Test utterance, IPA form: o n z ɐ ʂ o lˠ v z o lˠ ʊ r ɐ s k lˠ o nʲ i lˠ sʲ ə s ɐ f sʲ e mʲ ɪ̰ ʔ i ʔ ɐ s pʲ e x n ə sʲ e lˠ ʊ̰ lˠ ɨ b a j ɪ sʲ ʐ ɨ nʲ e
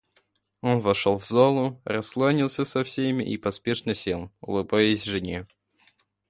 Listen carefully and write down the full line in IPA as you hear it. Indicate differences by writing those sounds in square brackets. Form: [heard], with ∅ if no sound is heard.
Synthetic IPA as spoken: o n [v] ɐ ʂ o lˠ v z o lˠ ʊ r ɐ s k lˠ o nʲ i lˠ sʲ ə s ɐ f sʲ e mʲ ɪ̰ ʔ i [p] ɐ s pʲ e [ʂ] n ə sʲ e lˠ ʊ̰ lˠ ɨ b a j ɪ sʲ ʐ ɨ nʲ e